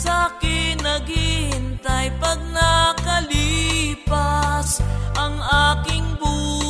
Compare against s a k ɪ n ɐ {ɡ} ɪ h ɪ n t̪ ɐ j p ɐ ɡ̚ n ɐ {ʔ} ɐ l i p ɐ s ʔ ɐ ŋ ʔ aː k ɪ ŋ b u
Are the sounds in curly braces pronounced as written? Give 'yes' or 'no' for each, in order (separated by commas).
yes, no